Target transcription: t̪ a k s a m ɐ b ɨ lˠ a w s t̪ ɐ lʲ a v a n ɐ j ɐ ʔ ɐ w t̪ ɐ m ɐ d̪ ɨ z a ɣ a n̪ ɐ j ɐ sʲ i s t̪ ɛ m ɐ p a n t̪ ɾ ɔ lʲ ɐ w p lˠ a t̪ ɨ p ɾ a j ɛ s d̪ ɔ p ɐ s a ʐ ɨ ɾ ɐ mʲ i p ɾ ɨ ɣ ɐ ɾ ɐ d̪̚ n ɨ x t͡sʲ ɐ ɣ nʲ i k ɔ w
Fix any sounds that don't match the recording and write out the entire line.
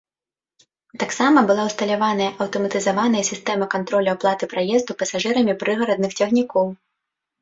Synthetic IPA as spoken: t̪ a k s a m ɐ b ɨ lˠ a w s t̪ ɐ lʲ a v a n ɐ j ɐ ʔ ɐ w t̪ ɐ m ɐ t̪ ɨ z a v a n̪ ɐ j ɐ sʲ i s t̪ ɛ m ɐ k a n t̪ ɾ ɔ lʲ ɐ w p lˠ a t̪ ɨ p ɾ a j ɛ z d̪ u p ɐ s a ʐ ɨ ɾ ɐ mʲ i p ɾ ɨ ɣ ɐ ɾ ɐ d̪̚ n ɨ x t͡sʲ ɐ ɣ nʲ i k ɔ w